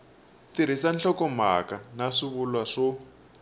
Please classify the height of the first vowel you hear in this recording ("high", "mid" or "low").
high